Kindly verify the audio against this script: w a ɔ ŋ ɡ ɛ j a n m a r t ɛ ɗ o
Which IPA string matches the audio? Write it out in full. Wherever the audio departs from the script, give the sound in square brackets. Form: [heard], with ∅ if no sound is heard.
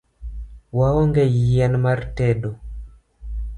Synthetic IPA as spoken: w a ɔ ŋ ɡ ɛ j [ɛ] n m a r t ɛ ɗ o